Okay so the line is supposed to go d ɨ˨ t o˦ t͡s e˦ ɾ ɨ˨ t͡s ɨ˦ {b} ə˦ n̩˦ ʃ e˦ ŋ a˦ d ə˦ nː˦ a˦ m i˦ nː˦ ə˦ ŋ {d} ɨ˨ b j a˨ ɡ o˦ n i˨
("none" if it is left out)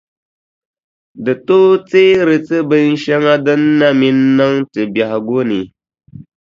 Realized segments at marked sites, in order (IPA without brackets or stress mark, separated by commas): b, t